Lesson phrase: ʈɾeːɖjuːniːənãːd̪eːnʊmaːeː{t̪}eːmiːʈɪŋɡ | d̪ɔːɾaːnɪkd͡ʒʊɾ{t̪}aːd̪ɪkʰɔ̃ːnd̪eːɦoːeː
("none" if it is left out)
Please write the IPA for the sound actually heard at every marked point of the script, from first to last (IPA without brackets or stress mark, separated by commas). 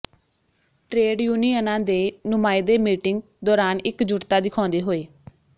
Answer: d̪, t̪